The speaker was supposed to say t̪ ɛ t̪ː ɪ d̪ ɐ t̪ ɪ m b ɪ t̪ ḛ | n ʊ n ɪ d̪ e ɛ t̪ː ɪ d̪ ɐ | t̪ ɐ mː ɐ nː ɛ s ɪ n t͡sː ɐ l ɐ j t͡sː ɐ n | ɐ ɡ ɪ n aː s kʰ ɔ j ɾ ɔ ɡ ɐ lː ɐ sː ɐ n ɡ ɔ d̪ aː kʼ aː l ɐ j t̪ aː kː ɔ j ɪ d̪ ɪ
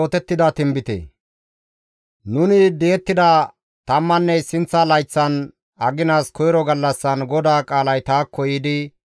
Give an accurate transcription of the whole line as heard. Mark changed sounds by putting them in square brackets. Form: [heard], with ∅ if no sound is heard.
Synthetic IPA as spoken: t̪ ɛ t̪ː ɪ d̪ ɐ t̪ ɪ m b ɪ t̪ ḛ | n ʊ n ɪ d̪ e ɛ t̪ː ɪ d̪ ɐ | t̪ ɐ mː ɐ nː ɛ s ɪ n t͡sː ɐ l ɐ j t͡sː ɐ n | ɐ ɡ ɪ n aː s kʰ ɔ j ɾ ɔ ɡ ɐ lː ɐ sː ɐ n ɡ ɔ d̪ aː kʼ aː l ɐ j t̪ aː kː ɔ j ɪ d̪ ɪ

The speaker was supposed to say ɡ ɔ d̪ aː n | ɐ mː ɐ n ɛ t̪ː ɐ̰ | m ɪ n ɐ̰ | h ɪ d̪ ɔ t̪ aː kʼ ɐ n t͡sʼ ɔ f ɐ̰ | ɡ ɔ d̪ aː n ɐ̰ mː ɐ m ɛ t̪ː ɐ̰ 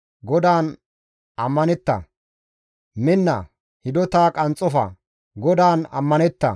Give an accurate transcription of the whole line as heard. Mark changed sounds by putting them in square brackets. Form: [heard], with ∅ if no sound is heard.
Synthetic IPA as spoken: ɡ ɔ d̪ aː n | ɐ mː ɐ n ɛ t̪ː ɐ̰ | m ɪ [nː] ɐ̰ | h ɪ d̪ ɔ t̪ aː kʼ ɐ n t͡sʼ ɔ f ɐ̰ | ɡ ɔ d̪ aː n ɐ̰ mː ɐ [n] ɛ t̪ː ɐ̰

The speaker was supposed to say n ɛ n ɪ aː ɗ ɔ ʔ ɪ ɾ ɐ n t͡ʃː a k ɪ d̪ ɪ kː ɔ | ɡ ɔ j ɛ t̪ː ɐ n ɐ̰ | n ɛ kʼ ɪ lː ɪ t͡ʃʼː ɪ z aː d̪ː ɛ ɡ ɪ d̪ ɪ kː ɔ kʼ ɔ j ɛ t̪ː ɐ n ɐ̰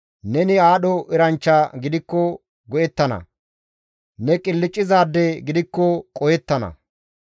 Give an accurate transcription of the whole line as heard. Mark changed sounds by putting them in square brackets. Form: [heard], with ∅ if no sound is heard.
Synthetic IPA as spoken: n ɛ n ɪ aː ɗ ɔ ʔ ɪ ɾ ɐ n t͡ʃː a [ɡ] ɪ d̪ ɪ kː ɔ | ɡ ɔ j ɛ t̪ː ɐ n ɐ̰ | n ɛ kʼ ɪ lː ɪ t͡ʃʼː ɪ z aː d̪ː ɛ ɡ ɪ d̪ ɪ kː ɔ kʼ ɔ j ɛ t̪ː ɐ n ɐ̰

